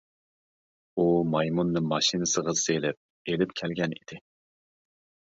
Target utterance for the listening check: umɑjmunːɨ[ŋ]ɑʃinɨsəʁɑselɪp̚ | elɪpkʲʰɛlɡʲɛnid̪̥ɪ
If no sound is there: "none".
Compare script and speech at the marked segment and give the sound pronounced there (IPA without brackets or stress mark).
m